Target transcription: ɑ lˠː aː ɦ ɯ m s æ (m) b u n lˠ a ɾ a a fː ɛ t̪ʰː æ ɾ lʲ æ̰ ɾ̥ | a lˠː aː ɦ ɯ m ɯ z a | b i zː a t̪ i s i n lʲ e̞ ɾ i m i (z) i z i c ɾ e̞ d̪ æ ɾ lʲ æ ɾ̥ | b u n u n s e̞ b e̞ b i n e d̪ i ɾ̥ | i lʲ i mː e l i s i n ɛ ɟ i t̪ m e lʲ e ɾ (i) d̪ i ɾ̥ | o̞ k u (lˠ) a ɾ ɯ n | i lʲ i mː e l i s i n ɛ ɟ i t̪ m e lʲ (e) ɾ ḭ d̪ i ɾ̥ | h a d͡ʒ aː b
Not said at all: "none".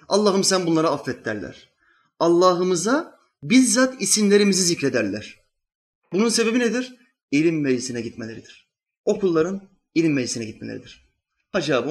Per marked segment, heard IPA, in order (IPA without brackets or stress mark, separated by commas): n, z, i, lˠː, e